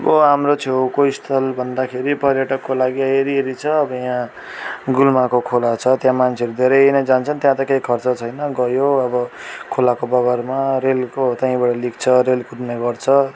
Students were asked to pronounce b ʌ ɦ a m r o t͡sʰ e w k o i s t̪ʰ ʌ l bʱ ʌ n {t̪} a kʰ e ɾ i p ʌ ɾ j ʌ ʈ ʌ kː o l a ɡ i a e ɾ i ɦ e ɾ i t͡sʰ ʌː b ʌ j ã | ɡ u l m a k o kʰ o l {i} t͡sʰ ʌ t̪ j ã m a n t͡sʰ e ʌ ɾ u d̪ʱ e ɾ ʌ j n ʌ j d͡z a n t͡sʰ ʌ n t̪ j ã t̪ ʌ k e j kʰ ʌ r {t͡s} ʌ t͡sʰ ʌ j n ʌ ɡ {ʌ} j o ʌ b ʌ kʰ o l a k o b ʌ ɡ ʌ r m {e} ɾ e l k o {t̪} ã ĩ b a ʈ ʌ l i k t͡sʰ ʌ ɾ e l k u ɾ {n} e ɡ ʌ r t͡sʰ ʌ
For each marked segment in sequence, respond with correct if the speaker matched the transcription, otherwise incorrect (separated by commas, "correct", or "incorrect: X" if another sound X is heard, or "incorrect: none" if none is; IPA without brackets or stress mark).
incorrect: d̪, incorrect: a, correct, correct, incorrect: a, correct, correct